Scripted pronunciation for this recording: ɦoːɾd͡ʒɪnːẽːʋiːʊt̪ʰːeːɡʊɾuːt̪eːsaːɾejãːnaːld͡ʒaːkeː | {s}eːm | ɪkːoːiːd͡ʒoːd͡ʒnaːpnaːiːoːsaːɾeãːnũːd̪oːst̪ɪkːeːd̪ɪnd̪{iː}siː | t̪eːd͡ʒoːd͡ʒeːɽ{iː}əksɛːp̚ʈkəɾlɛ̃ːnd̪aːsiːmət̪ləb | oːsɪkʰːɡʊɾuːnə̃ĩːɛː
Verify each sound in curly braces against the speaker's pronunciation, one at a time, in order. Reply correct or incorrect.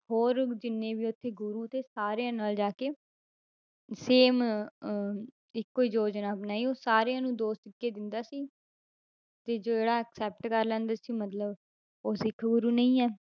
correct, incorrect, incorrect

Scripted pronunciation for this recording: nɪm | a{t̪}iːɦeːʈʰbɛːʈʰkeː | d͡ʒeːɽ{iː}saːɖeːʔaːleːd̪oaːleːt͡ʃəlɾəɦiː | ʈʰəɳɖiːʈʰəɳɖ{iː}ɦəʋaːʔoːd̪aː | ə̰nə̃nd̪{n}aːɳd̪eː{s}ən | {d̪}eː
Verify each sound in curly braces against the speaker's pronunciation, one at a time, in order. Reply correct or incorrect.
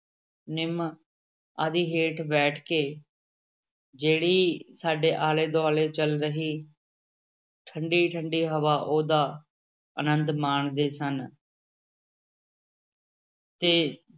incorrect, correct, correct, incorrect, correct, incorrect

